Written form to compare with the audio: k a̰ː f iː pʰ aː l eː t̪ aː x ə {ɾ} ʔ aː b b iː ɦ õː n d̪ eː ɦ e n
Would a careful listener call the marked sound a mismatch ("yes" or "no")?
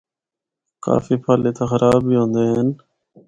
no